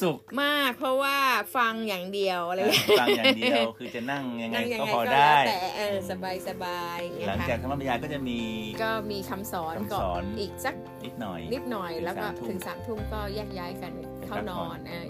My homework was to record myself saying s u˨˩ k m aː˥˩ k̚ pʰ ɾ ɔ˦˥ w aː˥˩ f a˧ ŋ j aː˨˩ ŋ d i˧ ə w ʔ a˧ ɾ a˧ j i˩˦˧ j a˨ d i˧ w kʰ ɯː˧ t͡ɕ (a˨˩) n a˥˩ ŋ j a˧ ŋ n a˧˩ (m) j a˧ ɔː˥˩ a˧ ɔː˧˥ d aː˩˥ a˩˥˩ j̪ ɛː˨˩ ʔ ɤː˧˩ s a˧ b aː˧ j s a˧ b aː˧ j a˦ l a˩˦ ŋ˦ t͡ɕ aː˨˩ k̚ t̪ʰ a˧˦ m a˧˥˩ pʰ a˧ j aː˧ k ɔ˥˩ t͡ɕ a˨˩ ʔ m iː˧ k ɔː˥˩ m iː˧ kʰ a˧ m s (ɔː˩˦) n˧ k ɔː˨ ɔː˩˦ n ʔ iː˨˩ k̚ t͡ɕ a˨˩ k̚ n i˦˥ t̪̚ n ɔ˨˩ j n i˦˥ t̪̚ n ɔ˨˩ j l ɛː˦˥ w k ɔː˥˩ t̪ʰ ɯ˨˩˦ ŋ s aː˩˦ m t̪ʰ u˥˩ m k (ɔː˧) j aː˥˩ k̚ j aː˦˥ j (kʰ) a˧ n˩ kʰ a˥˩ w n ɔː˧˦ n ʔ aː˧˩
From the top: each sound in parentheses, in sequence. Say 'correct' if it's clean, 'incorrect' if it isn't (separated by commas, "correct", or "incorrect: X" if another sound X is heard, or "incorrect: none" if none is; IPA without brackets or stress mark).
correct, incorrect: ŋ, correct, incorrect: ɔː˥˩, incorrect: k